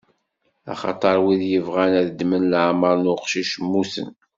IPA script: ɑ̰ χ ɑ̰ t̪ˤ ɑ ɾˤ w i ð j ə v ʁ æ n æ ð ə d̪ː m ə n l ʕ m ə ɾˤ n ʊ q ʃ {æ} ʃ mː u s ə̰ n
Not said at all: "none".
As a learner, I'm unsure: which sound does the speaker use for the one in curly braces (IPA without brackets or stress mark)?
i